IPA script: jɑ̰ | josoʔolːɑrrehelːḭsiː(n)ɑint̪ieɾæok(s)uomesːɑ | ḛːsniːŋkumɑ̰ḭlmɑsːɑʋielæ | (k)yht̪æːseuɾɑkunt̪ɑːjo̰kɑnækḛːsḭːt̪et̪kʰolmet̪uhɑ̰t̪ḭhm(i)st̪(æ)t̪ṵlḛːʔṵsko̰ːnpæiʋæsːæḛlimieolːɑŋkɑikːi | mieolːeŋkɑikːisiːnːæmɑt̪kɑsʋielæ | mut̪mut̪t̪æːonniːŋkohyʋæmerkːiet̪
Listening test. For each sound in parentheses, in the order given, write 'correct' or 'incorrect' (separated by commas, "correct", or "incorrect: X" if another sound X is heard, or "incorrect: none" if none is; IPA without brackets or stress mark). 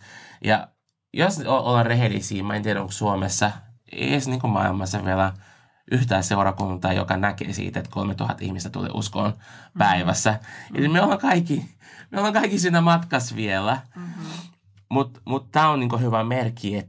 incorrect: m, correct, incorrect: ʔ, correct, correct